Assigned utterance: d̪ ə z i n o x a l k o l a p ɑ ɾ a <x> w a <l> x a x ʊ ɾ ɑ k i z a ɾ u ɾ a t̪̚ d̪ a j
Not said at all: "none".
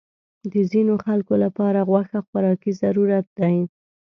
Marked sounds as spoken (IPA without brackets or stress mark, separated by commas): ɣ, none